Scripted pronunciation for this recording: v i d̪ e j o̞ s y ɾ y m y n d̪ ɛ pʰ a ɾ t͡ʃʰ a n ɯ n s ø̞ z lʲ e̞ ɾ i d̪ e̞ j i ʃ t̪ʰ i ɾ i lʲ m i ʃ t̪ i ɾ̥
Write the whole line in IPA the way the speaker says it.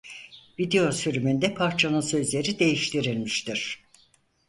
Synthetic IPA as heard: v i d̪ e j o̞ s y ɾ y m y n d̪ ɛ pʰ a ɾ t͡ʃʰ a n ɯ n s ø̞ z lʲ e̞ ɾ i d̪ e̞ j i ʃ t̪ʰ i ɾ i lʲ m i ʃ t̪ i ɾ̥